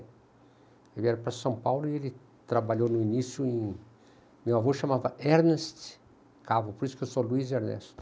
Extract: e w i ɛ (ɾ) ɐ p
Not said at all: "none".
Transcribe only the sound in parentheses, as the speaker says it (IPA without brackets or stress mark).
ɾ